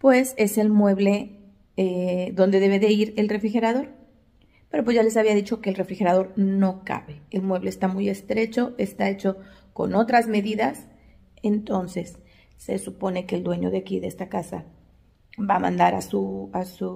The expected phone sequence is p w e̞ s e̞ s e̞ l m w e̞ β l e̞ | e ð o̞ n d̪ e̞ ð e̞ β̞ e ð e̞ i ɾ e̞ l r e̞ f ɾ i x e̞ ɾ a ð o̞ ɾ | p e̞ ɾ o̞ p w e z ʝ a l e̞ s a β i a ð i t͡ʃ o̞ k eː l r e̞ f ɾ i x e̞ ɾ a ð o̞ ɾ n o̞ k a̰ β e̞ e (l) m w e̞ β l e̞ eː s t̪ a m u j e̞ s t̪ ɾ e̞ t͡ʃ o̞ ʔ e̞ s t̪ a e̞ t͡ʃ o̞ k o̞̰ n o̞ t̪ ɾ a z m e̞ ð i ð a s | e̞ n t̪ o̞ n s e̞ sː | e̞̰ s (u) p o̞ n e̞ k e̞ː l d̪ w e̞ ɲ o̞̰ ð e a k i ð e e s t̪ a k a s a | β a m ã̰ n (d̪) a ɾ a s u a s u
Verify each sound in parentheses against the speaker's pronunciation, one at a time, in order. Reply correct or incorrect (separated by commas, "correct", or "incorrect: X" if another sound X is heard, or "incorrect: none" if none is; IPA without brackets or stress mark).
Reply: correct, correct, correct